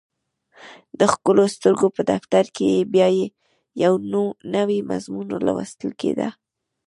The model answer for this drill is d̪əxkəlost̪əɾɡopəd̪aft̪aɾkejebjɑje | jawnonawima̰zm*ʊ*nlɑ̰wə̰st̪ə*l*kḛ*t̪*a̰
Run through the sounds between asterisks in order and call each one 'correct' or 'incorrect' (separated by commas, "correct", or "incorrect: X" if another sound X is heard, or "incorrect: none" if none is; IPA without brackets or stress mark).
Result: incorrect: u, correct, incorrect: d̪